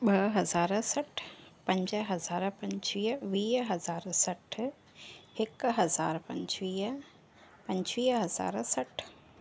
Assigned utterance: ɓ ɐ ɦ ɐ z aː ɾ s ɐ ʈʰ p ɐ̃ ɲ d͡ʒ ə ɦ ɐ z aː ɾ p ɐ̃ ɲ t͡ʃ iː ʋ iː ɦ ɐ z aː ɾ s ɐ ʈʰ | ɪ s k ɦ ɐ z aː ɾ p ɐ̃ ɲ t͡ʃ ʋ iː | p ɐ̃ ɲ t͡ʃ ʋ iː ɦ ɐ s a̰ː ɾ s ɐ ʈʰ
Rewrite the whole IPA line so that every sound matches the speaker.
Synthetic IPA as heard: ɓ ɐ ɦ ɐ z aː ɾ s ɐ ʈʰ p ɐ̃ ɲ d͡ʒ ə ɦ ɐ z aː ɾ p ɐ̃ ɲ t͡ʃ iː ʋ iː ɦ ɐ z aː ɾ s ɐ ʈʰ | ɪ k ɦ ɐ z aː ɾ p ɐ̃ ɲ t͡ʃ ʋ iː | p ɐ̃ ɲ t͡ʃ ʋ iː ɦ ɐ z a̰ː ɾ s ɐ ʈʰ